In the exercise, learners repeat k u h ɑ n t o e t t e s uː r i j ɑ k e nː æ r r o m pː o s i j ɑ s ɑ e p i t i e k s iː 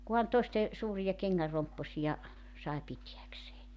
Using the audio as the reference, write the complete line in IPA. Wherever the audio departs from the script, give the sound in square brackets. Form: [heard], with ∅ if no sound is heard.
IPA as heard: k u h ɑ n t o e [s] t e s uː r i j ɑ k e [ŋː] æ r r o m pː o s i j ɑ s ɑ e p i t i [æ] k s [eː]